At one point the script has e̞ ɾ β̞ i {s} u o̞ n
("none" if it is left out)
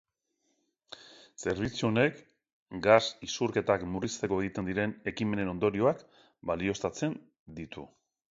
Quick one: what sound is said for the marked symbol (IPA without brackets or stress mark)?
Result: t͡s